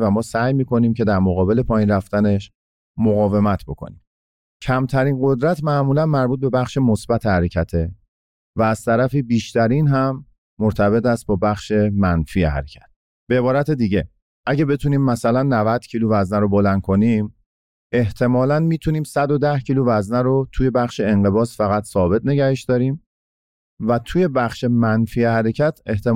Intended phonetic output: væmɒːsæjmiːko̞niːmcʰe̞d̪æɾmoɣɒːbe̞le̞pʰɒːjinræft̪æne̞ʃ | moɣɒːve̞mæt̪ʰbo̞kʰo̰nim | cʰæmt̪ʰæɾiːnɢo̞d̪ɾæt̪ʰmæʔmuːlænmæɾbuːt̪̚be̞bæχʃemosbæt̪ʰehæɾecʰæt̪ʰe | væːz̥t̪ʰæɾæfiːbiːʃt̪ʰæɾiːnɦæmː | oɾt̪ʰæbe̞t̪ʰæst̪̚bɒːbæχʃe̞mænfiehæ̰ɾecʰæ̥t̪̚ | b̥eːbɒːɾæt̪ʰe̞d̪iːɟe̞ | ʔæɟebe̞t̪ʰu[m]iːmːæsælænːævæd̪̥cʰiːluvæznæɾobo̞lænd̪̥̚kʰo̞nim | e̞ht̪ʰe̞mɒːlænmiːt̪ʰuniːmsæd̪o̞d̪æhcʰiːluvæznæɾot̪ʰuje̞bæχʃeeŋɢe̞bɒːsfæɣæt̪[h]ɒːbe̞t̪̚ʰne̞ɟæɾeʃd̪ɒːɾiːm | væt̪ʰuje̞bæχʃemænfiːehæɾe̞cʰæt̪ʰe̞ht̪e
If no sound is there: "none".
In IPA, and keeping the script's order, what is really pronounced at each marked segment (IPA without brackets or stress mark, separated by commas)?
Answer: n, s